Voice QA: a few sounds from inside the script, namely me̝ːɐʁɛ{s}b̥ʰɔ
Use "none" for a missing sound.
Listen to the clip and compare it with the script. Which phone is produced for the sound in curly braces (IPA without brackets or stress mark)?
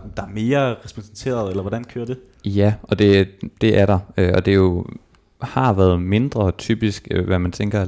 s